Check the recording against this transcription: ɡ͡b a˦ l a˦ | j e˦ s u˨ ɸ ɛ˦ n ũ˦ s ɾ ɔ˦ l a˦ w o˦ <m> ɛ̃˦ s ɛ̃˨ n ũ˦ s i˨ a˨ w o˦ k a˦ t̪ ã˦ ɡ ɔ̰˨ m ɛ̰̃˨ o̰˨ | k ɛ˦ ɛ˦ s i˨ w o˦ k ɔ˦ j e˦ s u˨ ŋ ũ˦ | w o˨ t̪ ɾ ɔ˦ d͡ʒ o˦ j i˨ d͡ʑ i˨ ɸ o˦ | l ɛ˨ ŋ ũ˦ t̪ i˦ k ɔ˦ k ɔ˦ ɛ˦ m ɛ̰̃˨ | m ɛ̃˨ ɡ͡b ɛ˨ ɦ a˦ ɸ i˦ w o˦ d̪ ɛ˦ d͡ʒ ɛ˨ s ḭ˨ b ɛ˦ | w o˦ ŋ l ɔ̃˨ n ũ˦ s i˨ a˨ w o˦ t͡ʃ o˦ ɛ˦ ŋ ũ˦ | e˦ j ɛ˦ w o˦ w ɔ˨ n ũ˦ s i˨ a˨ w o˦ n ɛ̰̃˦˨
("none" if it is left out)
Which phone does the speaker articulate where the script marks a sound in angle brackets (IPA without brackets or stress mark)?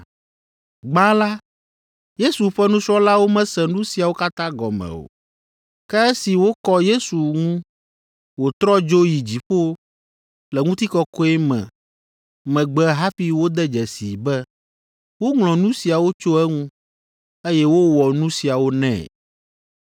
m